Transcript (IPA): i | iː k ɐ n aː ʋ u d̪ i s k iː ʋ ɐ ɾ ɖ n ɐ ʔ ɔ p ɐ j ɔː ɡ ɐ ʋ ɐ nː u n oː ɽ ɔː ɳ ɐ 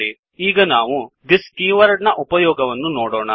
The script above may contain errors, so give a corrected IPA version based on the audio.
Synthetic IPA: i | iː ɡ ɐ n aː ʋ u d̪ i s k iː ʋ ɐ ɾ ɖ n ɐ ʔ u p ɐ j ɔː ɡ ɐ ʋ ɐ nː u n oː ɽ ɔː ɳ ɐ